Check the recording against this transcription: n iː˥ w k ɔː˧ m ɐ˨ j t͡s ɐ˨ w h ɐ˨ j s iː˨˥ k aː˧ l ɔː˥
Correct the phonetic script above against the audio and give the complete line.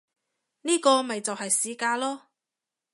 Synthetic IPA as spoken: n iː˥ k ɔː˧ m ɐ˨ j t͡s ɐ˨ w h ɐ˨ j s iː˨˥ k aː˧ l ɔː˥